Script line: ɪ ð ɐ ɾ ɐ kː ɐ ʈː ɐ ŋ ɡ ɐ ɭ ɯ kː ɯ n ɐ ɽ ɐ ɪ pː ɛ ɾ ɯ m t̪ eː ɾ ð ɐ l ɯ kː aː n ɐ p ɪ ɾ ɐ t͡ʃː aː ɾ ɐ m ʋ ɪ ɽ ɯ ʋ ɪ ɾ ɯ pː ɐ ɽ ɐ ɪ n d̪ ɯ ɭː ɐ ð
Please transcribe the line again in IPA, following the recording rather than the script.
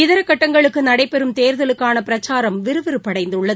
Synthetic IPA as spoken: ɪ ð ɐ ɾ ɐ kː ɐ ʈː ɐ ŋ ɡ ɐ ɭ ɯ kː ɯ n ɐ ɽ ɐ ɪ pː ɛ ɾ ɯ m t̪ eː ɾ ð ɐ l ɯ kː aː n ɐ p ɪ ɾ ɐ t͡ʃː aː ɾ ɐ m ʋ ɪ ɾ ɯ ʋ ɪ ɾ ɯ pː ɐ ɽ ɐ ɪ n d̪ ɯ ɭː ɐ ð